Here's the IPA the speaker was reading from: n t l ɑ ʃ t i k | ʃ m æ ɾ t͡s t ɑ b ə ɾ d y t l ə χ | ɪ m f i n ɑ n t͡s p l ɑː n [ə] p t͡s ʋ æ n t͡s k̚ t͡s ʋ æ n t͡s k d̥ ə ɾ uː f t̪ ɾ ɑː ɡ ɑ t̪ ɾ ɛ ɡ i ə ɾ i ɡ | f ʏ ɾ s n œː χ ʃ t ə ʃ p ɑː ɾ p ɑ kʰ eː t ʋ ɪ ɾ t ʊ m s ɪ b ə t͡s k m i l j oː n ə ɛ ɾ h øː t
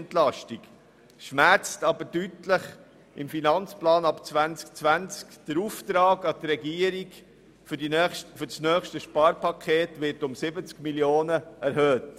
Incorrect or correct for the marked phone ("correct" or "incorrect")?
incorrect